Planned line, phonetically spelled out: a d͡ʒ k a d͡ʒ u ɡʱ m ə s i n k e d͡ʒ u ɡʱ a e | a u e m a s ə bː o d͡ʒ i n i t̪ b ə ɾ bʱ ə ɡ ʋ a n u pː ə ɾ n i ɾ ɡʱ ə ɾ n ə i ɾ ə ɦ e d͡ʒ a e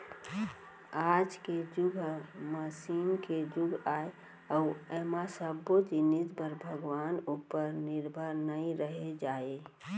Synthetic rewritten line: a d͡ʒ k e d͡ʒ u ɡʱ m ə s i n k e d͡ʒ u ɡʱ a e | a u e m a s ə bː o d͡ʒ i n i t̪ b ə ɾ bʱ ə ɡ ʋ a n u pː ə ɾ n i ɾ bʱ ə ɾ n ə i ɾ ə ɦ e d͡ʒ a e